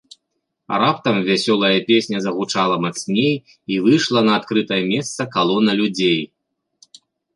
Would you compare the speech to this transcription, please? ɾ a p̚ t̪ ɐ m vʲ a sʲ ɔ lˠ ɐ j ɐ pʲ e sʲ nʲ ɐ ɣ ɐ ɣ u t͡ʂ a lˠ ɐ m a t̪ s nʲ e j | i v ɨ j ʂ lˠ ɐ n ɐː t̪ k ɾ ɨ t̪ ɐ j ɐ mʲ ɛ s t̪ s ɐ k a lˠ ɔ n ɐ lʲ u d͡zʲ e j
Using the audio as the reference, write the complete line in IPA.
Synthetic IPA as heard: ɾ a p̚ t̪ ɐ m vʲ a sʲ ɔ lˠ ɐ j ɐ pʲ e sʲ nʲ ɐ z ɐ ɣ u t͡ʂ a lˠ ɐ m a t̪ s nʲ e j | i v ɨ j ʂ lˠ ɐ n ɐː t̪ k ɾ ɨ t̪ ɐ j ɐ mʲ ɛ s t̪ s ɐ k a lˠ ɔ n ɐ lʲ u d͡zʲ e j